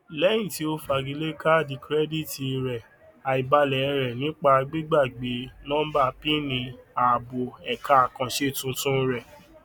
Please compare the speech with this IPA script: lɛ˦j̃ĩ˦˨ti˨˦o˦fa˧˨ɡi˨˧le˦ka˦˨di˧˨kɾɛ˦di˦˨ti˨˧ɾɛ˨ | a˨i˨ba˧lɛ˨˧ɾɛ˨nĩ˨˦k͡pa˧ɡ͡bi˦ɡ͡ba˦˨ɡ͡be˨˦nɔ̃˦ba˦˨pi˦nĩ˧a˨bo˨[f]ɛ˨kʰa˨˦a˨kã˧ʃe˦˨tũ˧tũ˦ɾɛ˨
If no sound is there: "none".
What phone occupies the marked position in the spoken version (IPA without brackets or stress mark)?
none